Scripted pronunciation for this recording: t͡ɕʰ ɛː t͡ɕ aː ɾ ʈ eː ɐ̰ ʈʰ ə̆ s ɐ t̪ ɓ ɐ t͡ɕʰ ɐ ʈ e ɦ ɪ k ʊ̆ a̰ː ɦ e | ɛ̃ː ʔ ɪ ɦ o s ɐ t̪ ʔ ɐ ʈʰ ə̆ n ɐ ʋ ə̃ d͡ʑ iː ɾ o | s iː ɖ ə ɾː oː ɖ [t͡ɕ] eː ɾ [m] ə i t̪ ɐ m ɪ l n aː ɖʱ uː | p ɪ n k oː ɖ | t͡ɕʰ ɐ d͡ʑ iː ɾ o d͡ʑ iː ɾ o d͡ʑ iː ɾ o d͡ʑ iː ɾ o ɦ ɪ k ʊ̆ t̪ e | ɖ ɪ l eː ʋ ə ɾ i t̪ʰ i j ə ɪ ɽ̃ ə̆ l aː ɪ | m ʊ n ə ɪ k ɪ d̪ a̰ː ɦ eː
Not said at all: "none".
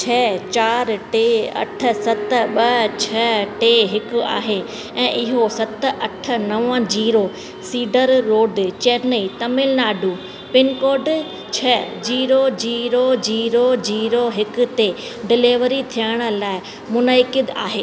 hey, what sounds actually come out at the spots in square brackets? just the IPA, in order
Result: t͡ɕ, n

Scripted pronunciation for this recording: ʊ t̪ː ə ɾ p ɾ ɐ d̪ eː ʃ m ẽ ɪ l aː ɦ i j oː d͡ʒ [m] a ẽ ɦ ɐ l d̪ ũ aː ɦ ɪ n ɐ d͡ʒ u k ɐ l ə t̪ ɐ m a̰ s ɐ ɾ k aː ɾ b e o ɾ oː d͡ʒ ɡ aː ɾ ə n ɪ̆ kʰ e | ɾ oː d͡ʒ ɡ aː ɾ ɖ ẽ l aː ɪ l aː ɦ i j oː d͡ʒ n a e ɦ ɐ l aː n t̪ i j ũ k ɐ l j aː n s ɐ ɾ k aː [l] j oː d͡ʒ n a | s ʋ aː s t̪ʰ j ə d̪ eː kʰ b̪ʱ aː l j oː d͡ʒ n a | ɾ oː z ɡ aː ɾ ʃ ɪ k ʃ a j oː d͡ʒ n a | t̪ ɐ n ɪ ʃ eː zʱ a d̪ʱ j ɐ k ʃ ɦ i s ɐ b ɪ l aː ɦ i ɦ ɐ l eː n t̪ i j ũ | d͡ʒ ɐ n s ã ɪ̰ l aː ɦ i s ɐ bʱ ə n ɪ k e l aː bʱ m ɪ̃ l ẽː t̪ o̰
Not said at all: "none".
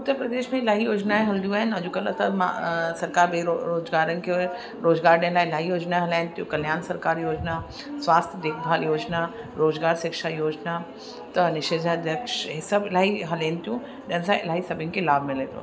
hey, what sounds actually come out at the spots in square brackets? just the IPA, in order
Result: n, ɾ

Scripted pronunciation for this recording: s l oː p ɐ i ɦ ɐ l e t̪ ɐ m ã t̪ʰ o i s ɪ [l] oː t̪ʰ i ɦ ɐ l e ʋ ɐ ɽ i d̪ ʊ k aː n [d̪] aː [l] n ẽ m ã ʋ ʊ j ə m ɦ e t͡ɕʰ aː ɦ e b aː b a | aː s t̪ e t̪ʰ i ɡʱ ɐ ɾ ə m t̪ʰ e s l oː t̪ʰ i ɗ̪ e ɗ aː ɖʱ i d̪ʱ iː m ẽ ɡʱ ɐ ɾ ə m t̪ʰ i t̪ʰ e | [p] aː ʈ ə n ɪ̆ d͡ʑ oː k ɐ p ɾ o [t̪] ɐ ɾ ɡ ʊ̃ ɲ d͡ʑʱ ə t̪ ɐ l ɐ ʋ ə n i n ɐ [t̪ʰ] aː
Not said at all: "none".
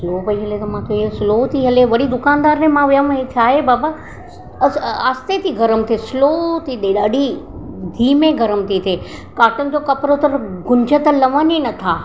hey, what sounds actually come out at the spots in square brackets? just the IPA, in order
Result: l, d̪, ɾ, k, t̪, t̪ʰ

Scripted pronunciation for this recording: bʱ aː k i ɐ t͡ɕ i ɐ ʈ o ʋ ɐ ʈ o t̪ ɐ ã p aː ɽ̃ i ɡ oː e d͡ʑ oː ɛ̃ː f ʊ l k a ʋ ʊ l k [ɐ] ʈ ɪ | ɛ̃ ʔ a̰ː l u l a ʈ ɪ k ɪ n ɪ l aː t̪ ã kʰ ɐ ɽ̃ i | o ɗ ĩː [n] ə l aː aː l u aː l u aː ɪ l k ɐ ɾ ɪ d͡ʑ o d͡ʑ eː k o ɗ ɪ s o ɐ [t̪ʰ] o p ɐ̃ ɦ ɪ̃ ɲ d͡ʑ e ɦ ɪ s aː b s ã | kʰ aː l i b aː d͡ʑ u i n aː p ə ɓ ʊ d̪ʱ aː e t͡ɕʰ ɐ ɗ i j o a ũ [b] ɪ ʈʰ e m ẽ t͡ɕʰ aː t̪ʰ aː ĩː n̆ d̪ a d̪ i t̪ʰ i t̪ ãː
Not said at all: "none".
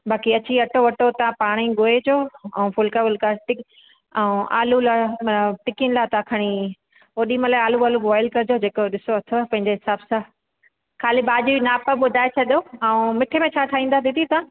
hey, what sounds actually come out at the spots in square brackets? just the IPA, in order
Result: a, m, t̪ʰ, m

